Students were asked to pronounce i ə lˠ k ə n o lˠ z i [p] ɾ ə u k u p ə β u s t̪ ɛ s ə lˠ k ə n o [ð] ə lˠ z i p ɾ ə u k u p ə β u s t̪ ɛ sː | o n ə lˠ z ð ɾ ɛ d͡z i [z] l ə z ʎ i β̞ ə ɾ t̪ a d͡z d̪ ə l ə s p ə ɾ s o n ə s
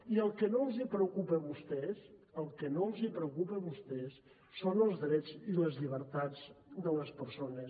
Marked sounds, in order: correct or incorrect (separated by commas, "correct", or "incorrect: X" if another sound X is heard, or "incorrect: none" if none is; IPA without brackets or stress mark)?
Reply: correct, incorrect: none, incorrect: none